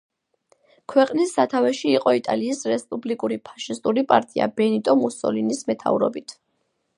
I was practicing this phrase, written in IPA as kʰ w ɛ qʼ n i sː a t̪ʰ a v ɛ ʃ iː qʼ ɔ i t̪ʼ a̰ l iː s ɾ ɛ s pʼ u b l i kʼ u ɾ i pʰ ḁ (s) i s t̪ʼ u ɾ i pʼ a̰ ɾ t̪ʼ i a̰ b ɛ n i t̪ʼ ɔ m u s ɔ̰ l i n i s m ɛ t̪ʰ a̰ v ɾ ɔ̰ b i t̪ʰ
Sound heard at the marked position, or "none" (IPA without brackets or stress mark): ʃ